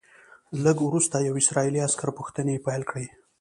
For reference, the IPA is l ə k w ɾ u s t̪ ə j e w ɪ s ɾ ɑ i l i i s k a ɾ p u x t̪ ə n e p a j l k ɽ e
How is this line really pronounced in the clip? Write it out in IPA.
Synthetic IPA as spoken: l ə ɡ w ɾ u s t̪ a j a w ɪ s ɾ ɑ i l i a s k a ɾ p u x t̪ ə n e p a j l k ɽ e